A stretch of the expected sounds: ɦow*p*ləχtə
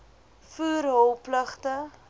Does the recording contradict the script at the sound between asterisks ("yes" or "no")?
no